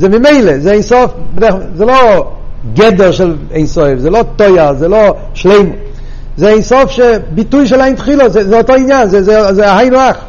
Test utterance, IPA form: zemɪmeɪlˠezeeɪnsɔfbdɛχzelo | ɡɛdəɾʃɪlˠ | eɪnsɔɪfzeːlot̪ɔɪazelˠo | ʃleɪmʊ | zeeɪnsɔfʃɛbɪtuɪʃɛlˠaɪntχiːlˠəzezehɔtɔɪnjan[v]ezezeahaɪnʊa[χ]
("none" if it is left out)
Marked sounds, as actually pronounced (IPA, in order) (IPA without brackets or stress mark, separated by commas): z, χ